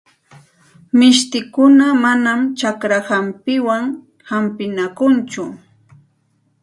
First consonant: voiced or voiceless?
voiced